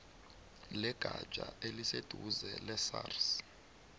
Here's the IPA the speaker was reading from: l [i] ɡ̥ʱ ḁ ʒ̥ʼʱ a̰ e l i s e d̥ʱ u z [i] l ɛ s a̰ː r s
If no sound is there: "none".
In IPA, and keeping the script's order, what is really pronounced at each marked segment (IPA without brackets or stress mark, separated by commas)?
ɛ, ɛ